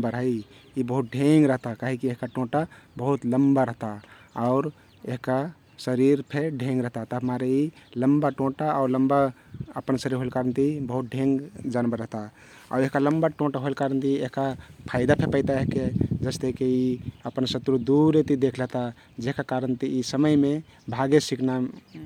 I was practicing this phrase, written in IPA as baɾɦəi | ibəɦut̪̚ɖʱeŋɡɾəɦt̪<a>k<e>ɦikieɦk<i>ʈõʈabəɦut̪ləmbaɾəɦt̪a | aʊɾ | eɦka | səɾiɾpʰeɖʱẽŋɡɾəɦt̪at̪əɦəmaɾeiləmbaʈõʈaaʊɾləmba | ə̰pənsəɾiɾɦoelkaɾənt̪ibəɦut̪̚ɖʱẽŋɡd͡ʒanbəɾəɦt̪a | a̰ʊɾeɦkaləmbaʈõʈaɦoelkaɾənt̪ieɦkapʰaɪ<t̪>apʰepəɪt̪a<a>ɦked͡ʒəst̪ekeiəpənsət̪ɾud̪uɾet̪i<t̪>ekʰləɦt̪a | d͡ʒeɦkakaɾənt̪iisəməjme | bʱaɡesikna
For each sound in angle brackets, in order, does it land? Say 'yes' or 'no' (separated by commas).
yes, no, no, no, no, no